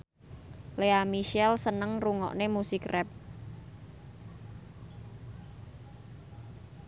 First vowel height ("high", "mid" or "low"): mid